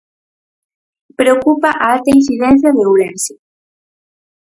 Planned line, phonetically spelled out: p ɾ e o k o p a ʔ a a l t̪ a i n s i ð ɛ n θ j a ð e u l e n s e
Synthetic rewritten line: p ɾ e o k u p a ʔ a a l t̪ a i n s i ð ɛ n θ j a ð e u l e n s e